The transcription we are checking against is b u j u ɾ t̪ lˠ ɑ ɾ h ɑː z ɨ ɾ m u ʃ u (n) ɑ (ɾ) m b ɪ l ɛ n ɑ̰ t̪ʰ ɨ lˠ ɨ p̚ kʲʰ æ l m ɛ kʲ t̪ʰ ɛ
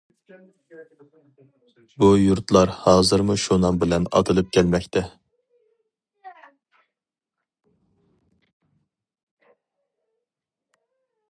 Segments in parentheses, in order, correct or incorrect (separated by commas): correct, incorrect